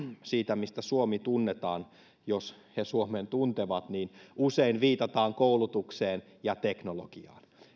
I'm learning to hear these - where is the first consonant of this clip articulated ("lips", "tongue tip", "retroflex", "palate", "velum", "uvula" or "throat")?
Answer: tongue tip